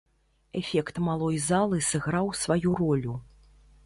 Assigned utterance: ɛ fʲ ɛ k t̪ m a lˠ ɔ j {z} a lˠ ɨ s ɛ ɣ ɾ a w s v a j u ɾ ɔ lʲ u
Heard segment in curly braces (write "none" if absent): z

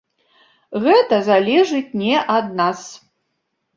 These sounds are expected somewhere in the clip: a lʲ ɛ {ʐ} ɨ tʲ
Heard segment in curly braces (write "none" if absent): ʐ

